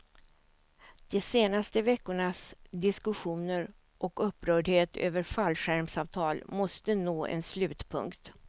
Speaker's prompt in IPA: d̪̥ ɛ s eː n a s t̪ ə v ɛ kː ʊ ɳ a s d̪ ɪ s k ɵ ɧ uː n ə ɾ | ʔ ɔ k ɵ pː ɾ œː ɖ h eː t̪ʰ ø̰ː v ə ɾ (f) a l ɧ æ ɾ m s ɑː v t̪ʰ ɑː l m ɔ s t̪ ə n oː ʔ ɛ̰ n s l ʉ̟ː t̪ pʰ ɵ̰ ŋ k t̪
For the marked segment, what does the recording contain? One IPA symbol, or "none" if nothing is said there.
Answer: f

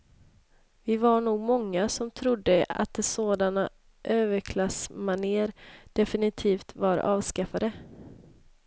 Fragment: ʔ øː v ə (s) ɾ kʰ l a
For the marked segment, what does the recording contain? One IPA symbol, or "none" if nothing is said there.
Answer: none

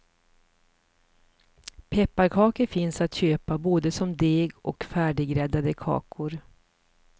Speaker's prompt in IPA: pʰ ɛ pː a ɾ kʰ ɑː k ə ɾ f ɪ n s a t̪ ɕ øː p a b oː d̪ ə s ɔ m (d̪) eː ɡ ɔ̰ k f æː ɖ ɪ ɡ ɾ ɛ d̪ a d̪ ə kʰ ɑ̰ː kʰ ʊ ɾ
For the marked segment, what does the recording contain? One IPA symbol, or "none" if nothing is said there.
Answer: d̪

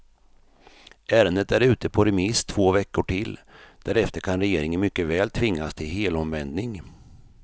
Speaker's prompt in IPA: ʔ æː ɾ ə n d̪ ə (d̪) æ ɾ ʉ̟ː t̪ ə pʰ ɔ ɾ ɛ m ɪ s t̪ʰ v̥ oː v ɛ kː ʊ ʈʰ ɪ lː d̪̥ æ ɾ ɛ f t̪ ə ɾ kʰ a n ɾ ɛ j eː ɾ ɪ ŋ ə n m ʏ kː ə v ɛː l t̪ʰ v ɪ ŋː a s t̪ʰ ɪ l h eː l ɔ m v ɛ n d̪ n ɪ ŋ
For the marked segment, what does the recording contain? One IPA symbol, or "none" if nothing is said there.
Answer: t̪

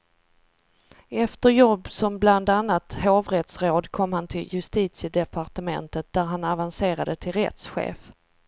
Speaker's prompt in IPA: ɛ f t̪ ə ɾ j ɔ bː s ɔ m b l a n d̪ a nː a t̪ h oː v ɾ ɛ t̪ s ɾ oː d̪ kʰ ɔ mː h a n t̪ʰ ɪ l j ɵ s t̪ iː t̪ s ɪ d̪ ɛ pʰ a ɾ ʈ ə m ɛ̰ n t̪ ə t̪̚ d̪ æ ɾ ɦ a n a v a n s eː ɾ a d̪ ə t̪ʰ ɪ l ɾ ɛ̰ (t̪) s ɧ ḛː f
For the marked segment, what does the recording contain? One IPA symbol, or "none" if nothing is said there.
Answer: t̪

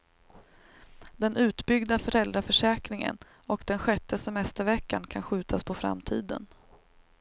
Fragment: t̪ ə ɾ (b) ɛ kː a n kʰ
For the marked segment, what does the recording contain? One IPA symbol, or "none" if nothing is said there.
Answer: v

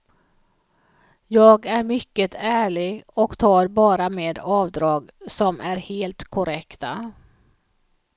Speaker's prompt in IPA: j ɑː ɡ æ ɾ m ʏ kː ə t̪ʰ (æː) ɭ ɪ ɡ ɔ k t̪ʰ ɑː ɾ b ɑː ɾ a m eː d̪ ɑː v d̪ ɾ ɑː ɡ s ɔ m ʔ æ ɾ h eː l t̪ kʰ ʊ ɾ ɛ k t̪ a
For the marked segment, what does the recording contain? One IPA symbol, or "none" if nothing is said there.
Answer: æː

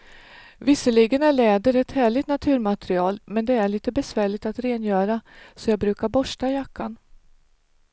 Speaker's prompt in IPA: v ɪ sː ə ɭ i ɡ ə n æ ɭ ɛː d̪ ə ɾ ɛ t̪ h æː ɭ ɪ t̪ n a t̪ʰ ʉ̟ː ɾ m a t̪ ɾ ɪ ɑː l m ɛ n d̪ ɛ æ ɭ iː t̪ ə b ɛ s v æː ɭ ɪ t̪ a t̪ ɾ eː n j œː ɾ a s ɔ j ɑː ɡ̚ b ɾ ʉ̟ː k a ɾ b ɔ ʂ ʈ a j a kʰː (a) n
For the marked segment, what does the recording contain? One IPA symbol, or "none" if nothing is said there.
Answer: a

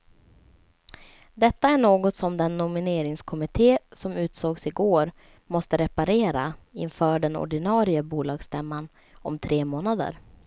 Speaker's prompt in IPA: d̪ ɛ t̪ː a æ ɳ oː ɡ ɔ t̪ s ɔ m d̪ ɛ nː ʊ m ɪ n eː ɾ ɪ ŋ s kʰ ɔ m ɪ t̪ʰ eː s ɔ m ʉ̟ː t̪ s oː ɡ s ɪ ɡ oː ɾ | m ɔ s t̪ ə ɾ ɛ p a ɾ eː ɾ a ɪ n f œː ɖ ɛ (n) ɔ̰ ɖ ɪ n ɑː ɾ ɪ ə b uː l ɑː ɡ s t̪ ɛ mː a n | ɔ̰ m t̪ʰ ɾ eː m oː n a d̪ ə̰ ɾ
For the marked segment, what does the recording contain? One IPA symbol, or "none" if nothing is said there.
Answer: n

